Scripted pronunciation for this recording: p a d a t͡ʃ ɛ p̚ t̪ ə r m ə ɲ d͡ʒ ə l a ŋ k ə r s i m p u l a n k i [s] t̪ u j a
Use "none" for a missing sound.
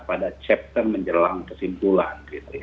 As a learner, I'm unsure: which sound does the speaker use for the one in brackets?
none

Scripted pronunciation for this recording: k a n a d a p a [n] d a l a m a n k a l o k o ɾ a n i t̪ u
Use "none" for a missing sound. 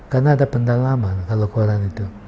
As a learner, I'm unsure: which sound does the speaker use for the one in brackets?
n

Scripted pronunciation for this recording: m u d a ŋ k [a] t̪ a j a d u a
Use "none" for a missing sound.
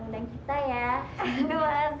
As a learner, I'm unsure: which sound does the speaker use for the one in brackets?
i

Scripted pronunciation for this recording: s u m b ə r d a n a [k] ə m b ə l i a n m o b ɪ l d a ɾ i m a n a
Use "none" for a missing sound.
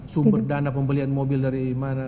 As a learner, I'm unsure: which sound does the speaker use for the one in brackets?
p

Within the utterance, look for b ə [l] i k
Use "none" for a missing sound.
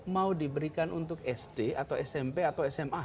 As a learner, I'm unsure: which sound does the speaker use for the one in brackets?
ɾ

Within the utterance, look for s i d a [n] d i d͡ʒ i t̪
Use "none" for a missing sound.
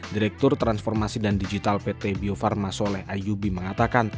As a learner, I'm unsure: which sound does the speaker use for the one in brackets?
n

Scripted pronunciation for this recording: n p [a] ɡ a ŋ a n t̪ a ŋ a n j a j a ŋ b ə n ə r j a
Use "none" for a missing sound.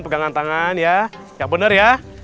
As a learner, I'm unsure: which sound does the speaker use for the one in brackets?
ə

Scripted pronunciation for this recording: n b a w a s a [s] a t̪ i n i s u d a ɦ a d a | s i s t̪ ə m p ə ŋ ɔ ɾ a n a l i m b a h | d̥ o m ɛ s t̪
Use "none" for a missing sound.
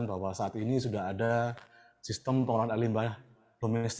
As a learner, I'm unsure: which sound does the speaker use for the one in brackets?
none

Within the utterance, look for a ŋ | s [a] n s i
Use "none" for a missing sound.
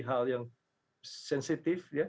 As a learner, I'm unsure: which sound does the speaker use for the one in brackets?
ɛ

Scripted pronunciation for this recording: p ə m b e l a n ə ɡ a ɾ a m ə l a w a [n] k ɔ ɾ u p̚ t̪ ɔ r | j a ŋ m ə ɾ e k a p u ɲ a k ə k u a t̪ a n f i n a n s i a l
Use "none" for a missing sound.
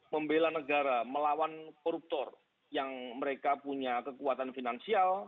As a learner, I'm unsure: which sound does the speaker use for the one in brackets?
n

